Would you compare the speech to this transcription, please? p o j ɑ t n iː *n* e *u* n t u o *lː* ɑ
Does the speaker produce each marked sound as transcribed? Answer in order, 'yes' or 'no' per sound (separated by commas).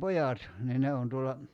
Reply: yes, no, yes